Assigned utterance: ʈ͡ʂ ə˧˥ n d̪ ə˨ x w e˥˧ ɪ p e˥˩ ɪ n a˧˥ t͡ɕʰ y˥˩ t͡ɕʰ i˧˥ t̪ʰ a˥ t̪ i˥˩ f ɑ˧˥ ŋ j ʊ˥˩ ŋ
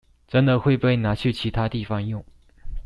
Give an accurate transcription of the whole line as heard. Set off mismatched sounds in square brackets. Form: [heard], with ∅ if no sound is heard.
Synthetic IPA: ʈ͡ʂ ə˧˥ n d̪ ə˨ x w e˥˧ ɪ p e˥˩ ɪ n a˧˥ t͡ɕʰ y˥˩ t͡ɕʰ i˧˥ t̪ʰ a˥ t̪ i˥˩ f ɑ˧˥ ŋ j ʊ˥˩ ŋ

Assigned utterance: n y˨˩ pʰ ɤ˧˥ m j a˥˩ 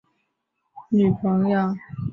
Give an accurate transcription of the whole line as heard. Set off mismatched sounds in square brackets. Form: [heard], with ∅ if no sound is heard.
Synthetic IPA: n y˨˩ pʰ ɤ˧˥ [ŋ] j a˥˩

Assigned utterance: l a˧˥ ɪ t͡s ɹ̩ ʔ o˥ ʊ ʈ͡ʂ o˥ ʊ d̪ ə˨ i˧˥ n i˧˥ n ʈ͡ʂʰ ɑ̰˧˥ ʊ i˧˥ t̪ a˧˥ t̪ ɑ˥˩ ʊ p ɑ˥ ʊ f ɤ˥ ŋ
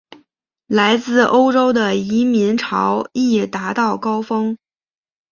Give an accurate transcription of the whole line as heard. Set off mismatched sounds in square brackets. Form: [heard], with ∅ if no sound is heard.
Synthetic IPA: l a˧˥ ɪ t͡s ɹ̩ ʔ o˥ ʊ ʈ͡ʂ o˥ ʊ d̪ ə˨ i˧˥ [m] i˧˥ n ʈ͡ʂʰ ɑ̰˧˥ ʊ [i˥˩] t̪ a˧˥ t̪ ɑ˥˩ ʊ [k] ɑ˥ ʊ f ɤ˥ ŋ

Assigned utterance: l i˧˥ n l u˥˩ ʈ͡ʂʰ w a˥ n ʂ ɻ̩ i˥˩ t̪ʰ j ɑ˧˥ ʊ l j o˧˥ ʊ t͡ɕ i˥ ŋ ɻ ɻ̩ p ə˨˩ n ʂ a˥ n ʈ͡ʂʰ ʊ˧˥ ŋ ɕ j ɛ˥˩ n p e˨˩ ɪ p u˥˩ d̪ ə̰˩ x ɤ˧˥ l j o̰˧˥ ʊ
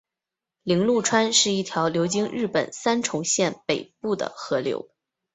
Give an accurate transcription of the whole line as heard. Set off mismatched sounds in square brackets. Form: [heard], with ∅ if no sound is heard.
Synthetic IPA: l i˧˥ [ŋ] l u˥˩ ʈ͡ʂʰ w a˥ n ʂ ɻ̩ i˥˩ t̪ʰ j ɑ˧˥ ʊ l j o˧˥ ʊ t͡ɕ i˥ ŋ ɻ ɻ̩ p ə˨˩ n [s] a˥ n ʈ͡ʂʰ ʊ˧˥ ŋ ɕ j ɛ˥˩ n p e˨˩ ɪ p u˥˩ d̪ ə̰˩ x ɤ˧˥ l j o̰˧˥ ʊ

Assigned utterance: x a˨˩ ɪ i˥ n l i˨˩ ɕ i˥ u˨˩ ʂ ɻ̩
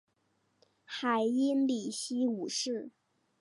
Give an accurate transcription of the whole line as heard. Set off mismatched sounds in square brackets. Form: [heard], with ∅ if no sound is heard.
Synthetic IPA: x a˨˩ ɪ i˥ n l i˨˩ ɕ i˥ u˨˩ ʂ ɻ̩

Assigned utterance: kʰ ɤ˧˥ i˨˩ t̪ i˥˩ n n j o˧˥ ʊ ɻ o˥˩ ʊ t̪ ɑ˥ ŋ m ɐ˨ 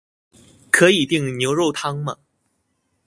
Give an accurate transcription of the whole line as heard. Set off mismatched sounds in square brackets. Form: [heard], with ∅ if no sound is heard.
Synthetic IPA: kʰ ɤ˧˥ i˨˩ t̪ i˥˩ [ŋ] n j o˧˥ ʊ ɻ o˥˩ ʊ [t̪ʰ] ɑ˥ ŋ m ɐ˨

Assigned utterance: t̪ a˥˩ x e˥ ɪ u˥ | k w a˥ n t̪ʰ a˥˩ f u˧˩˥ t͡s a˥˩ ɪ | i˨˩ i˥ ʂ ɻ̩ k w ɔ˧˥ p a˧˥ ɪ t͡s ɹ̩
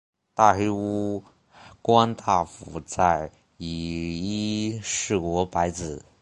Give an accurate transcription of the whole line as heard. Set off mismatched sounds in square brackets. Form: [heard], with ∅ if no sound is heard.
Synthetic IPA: t̪ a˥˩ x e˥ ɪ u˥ | k w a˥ n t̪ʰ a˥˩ f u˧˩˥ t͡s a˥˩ ɪ | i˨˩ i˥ ʂ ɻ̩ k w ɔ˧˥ p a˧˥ ɪ t͡s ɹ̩

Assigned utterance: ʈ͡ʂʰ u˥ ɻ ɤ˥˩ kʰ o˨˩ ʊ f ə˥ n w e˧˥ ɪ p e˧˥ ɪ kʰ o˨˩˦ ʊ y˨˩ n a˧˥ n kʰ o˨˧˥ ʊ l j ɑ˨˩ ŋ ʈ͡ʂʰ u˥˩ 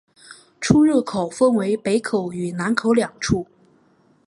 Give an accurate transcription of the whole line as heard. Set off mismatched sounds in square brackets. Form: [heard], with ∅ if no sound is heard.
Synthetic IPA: ʈ͡ʂʰ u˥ ɻ ɤ˥˩ kʰ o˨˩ ʊ f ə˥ n w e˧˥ ɪ p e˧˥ ɪ kʰ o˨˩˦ ʊ y˨˩ n a˧˥ n kʰ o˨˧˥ ʊ l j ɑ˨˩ ŋ ʈ͡ʂʰ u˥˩

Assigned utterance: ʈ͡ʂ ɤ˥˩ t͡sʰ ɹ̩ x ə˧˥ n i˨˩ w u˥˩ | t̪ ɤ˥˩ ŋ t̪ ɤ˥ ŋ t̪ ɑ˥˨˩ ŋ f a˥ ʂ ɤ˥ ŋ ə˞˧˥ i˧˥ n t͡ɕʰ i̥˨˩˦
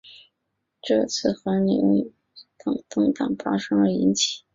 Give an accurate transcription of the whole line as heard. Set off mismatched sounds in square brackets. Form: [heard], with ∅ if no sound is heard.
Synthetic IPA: ʈ͡ʂ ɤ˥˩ t͡sʰ ɹ̩ x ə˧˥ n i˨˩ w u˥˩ | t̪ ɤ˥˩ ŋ t̪ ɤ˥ ŋ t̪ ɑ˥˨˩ ŋ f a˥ ʂ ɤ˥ ŋ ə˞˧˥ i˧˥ n t͡ɕʰ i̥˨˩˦

